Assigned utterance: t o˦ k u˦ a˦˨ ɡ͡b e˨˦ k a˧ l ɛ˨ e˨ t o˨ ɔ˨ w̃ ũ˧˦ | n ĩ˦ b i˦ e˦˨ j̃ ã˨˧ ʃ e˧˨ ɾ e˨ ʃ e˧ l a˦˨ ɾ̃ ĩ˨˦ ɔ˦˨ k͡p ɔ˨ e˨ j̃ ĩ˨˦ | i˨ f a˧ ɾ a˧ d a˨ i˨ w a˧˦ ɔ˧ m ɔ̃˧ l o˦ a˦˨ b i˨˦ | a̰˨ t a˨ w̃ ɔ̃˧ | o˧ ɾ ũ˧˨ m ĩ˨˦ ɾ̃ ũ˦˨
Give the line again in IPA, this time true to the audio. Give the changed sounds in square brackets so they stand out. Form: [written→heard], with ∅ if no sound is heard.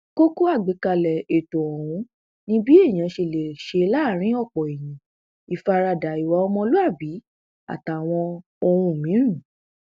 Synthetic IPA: [t→k] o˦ k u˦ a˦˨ ɡ͡b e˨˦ k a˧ l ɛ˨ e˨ t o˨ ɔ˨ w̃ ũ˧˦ | n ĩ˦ b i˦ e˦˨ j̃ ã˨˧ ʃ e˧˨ [ɾ→l] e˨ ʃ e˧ l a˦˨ ɾ̃ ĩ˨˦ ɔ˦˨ k͡p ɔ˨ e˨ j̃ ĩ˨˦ | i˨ f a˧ ɾ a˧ d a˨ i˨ w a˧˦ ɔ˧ m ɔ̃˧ l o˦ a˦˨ b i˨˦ | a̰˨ t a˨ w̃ ɔ̃˧ | o˧ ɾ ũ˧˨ m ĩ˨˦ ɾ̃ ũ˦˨

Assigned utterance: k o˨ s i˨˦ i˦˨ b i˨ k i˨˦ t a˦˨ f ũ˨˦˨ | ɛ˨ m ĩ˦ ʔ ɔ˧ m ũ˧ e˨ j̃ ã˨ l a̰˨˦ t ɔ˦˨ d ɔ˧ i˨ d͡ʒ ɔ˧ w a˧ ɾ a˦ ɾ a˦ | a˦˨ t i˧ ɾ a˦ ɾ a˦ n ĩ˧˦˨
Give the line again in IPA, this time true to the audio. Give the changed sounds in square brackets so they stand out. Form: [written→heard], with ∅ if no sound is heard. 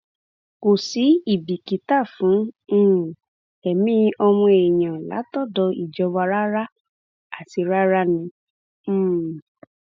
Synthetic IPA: k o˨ s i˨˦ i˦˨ b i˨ k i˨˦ t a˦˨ f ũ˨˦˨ | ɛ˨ m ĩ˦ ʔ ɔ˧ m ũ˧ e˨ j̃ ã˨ l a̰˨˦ t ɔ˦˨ d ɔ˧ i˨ d͡ʒ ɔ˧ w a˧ ɾ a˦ ɾ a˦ | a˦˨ t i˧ ɾ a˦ ɾ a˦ n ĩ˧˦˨

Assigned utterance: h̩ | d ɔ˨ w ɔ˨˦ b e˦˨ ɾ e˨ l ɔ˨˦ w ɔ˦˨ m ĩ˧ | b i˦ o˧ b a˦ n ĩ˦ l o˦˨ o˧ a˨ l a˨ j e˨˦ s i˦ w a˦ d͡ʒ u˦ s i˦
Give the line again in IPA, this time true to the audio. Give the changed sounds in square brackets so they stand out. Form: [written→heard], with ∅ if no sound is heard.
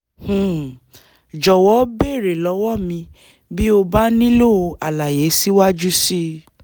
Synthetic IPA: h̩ | [d→d͡ʒ] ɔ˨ w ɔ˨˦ b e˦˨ ɾ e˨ l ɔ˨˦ w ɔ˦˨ m ĩ˧ | b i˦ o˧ b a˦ n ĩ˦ l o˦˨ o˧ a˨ l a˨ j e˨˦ s i˦ w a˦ d͡ʒ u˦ s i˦

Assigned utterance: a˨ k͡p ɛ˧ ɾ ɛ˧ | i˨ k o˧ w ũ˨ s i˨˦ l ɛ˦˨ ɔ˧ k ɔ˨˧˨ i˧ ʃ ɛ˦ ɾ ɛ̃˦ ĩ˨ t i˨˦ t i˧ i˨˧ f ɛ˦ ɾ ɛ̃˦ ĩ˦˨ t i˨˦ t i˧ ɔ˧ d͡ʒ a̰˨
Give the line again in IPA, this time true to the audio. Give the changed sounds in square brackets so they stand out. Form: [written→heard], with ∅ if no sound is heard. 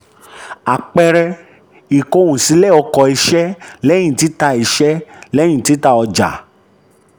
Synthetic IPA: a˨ k͡p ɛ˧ ɾ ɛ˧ | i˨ k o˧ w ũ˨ s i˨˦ l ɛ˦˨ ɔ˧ k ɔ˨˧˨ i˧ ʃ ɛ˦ [ɾ→l] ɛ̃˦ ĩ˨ t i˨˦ t [i˧→a˧] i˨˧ [f→ʃ] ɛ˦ [ɾ→l] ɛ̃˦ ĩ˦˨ t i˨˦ t [i˧→a˧] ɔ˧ d͡ʒ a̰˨

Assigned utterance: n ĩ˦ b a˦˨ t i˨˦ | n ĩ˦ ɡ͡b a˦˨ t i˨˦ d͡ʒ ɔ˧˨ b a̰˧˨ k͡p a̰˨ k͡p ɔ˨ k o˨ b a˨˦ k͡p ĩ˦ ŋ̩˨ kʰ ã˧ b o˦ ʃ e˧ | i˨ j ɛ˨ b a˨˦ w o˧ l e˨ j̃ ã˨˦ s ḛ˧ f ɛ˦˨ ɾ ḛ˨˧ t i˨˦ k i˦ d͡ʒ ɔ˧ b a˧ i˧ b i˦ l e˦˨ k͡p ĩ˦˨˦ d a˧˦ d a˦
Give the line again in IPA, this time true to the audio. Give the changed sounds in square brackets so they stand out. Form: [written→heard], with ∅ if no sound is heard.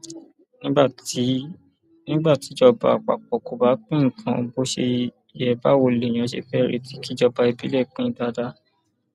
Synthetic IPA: n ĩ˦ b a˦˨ t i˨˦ | n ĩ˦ ɡ͡b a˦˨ t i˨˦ d͡ʒ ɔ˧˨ b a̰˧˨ k͡p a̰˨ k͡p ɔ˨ k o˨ b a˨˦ k͡p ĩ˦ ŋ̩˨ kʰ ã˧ b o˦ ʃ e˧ | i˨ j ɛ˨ b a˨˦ w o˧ l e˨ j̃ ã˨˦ [s→ʃ] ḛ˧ f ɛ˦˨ ɾ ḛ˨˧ t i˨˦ k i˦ d͡ʒ ɔ˧ b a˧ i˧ b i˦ l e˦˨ k͡p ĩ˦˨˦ d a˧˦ d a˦

